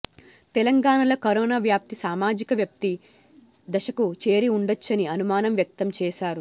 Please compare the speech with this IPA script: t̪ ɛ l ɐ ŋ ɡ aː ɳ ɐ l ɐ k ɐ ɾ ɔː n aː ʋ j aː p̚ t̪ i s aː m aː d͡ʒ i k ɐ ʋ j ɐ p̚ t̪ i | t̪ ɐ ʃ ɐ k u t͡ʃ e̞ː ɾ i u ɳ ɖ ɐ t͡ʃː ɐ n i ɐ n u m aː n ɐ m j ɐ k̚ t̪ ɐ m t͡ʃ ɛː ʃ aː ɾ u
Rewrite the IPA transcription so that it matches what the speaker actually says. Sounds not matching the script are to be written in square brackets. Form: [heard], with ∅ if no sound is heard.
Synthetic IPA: t̪ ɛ l ɐ ŋ ɡ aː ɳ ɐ l ɐ k ɐ ɾ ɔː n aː ʋ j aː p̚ t̪ i s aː m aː d͡ʒ i k ɐ ʋ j ɐ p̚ t̪ i | [d̪] ɐ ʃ ɐ k u t͡ʃ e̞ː ɾ i u ɳ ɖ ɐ t͡ʃː ɐ n i ɐ n u m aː n ɐ m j ɐ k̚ t̪ ɐ m t͡ʃ ɛː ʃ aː ɾ u

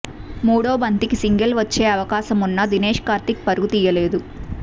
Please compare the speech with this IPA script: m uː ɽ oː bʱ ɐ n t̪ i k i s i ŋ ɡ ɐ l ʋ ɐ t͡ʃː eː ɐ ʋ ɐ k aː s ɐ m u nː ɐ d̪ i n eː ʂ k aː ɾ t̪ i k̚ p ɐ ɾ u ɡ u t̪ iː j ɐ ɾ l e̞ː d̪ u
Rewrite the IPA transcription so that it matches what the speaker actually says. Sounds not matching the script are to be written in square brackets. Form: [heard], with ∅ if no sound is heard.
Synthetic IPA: m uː ɽ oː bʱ ɐ n t̪ i k i s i ŋ ɡ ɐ l ʋ ɐ t͡ʃː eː ɐ ʋ ɐ k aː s ɐ m u nː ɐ d̪ i n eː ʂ k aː ɾ t̪ i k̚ p ɐ ɾ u ɡ u t̪ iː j ɐ [∅] l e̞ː d̪ u

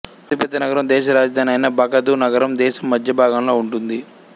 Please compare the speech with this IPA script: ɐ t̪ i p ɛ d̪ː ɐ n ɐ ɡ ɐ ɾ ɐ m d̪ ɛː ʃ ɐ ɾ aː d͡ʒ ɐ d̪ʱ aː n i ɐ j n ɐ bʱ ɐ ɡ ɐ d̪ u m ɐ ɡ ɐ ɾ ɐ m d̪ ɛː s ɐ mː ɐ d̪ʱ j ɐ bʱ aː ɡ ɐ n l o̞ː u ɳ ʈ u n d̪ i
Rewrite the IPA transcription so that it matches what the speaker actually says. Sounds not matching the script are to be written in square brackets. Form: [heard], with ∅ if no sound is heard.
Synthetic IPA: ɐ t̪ i p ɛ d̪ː ɐ n ɐ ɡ ɐ ɾ ɐ m d̪ ɛː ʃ ɐ ɾ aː d͡ʒ ɐ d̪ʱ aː n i ɐ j n ɐ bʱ ɐ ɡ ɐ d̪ u [n] ɐ ɡ ɐ ɾ ɐ m d̪ ɛː [ʃ] ɐ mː ɐ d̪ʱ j ɐ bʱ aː ɡ ɐ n l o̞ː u ɳ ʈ u n d̪ i

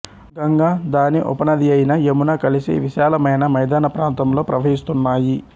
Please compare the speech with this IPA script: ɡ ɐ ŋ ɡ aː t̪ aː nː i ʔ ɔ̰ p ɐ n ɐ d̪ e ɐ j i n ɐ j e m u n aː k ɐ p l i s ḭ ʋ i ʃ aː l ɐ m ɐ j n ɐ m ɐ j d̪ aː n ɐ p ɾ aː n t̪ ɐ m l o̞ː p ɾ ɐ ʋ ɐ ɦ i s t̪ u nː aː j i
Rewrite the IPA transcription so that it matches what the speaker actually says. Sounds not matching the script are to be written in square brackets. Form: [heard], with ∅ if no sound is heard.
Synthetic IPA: ɡ ɐ ŋ ɡ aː [d̪] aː [n] i ʔ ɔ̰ p ɐ n ɐ d̪ [i] ɐ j i n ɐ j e m u n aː k ɐ [∅] l i s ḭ ʋ i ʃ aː l ɐ m ɐ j n ɐ m ɐ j d̪ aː n ɐ p ɾ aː n t̪ ɐ m l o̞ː p ɾ ɐ ʋ ɐ ɦ i s t̪ u nː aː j i

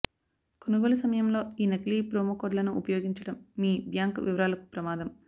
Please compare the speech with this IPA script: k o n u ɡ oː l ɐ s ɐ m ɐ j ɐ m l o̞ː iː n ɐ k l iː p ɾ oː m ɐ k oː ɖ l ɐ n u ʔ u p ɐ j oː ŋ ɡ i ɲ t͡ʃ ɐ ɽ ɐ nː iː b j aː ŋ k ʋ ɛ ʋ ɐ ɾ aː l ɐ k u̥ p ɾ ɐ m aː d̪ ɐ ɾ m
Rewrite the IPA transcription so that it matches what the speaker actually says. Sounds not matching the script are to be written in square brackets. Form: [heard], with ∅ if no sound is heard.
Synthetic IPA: k o n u ɡ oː l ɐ s ɐ m ɐ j ɐ m l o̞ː iː n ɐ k l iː p ɾ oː m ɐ k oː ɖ l ɐ n u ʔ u p ɐ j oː [∅] ɡ i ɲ t͡ʃ ɐ ɽ ɐ [mː] iː b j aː ŋ k ʋ [i] ʋ ɐ ɾ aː l ɐ k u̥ p ɾ ɐ m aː d̪ ɐ [∅] m

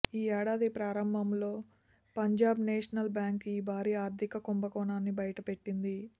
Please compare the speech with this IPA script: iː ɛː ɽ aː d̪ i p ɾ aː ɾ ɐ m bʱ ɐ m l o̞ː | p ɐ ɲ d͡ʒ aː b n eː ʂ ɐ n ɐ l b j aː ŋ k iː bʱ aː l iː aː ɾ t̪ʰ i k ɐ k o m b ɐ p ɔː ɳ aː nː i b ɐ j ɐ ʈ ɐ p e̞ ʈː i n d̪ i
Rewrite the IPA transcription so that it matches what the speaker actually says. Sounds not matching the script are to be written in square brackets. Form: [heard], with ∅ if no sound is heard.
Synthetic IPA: iː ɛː ɽ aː d̪ i p ɾ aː ɾ ɐ m bʱ ɐ m l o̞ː | p ɐ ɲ d͡ʒ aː b n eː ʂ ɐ n ɐ l b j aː ŋ k iː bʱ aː [ɾ] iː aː ɾ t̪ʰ i k ɐ k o m b ɐ [k] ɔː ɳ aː nː i b ɐ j ɐ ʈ ɐ p e̞ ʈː i n d̪ i

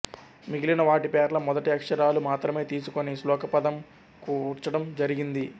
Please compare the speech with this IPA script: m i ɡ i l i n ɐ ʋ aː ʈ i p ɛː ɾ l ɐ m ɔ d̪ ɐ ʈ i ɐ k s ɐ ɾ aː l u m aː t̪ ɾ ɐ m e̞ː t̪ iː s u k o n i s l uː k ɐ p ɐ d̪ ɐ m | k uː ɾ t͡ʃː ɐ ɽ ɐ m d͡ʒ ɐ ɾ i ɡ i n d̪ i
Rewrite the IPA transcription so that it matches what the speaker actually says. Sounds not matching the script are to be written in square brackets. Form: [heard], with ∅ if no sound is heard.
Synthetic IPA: m i ɡ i l i n ɐ ʋ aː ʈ i p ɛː ɾ l ɐ m ɔ d̪ ɐ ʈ i ɐ k [ʂ] ɐ ɾ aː l u m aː t̪ ɾ ɐ m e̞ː t̪ iː s u k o n i s l [ɔː] k ɐ p ɐ d̪ ɐ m | k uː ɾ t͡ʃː ɐ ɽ ɐ m d͡ʒ ɐ ɾ i ɡ i n d̪ i

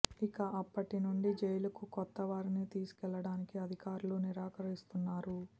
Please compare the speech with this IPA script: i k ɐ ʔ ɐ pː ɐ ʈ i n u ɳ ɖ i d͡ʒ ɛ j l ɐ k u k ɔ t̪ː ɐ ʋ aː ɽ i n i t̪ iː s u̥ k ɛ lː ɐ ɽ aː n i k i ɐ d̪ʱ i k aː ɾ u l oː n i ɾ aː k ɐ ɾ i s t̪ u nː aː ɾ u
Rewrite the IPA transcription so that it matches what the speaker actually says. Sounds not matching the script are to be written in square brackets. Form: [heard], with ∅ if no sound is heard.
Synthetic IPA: i k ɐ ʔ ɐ pː ɐ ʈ i n u ɳ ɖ i d͡ʒ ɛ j l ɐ k u k ɔ t̪ː ɐ ʋ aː [ɾ] i n i t̪ iː s u̥ k ɛ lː ɐ ɽ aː n i k i ɐ d̪ʱ i k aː ɾ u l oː n i ɾ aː k ɐ ɾ i s t̪ u nː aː ɾ u

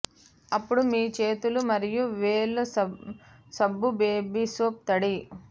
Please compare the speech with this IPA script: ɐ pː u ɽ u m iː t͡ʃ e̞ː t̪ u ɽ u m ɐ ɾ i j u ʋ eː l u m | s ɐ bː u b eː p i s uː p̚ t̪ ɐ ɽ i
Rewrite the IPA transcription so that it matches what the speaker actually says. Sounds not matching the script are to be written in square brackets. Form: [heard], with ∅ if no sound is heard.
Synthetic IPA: ɐ pː u ɽ u m iː t͡ʃ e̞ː t̪ u [l] u m ɐ ɾ i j u ʋ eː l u [∅] | s ɐ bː u b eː [b] i s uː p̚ t̪ ɐ ɽ i

